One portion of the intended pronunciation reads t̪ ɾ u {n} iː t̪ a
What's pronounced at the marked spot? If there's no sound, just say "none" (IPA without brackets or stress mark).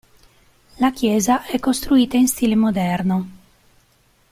none